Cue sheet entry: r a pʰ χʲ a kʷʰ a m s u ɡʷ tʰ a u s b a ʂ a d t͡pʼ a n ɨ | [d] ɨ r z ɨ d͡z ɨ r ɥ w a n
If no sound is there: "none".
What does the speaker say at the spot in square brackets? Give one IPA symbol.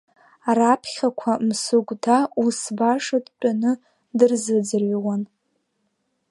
d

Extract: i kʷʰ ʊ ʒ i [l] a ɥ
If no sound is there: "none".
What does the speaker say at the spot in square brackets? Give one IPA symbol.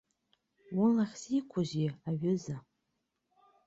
none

